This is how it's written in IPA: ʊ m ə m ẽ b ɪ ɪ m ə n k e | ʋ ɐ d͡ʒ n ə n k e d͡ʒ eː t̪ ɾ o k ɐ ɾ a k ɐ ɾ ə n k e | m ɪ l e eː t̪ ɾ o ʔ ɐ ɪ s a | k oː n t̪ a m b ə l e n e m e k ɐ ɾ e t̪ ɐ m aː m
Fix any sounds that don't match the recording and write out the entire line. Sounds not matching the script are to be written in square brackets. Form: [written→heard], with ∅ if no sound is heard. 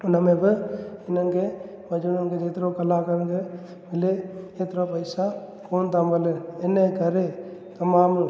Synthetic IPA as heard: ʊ [m→n] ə m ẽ b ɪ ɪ [m→n] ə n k e | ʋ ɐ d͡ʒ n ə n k e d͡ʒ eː t̪ ɾ o k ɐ [ɾ→l] a k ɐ ɾ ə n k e | m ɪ l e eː t̪ ɾ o [ʔ→p] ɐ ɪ s a | k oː n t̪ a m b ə l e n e [m→n] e k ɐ ɾ e t̪ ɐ m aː m